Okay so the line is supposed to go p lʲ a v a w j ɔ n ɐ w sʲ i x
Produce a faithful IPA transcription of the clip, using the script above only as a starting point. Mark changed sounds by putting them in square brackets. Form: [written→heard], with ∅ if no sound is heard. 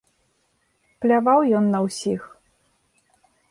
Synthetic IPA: p lʲ a v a w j ɔ [n→nː] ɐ w sʲ i x